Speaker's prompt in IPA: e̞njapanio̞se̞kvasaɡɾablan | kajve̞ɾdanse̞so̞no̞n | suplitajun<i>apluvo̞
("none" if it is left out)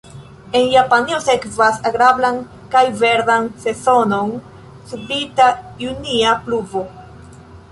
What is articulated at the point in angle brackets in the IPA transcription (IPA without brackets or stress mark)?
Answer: i